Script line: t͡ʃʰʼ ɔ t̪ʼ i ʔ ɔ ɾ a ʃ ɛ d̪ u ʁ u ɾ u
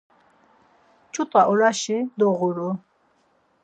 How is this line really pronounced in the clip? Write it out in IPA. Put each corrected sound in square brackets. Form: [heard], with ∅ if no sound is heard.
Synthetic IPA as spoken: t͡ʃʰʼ [u] t̪ʼ [a] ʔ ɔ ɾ a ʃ [i] d̪ [ɔ] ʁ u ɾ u